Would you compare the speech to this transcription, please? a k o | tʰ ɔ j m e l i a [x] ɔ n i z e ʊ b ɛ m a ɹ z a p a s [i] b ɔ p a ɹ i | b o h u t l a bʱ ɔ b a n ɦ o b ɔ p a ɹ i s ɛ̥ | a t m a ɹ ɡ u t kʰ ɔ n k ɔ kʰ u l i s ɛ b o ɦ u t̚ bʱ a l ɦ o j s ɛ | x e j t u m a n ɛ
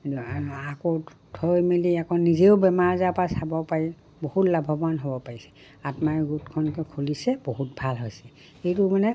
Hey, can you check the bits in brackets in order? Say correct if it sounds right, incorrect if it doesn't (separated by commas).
incorrect, incorrect